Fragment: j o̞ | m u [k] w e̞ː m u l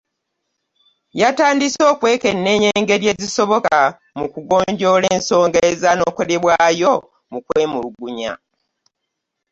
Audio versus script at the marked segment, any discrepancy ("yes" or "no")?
no